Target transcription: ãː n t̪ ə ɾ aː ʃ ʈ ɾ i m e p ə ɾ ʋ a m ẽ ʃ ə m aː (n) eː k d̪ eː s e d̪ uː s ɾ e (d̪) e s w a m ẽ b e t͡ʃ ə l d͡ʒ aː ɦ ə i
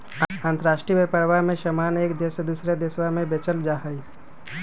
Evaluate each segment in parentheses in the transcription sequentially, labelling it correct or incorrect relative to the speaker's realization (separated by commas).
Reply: correct, correct